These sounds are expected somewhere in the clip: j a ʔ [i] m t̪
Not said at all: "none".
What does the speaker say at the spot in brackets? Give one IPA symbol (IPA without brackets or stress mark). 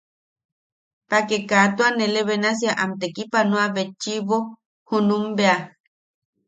a